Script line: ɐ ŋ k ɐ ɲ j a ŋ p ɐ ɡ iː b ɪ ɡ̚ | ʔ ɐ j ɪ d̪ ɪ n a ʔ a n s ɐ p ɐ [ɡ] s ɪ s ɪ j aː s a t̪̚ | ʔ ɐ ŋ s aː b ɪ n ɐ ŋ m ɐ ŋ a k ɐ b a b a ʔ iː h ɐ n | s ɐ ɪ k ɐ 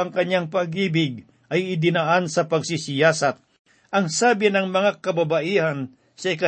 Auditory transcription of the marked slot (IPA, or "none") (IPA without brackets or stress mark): ɡ